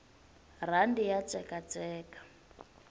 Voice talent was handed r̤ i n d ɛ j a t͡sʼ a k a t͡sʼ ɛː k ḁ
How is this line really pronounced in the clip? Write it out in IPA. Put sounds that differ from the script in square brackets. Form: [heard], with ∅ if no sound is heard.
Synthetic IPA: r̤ [a] n d [i] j a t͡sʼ [ɛ] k a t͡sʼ ɛː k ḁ